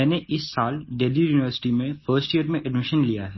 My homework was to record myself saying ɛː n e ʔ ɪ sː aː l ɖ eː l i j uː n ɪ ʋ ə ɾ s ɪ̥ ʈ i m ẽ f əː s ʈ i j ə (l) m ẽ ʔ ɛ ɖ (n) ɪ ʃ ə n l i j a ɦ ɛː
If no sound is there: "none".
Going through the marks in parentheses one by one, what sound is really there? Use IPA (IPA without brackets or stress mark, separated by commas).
ɾ, m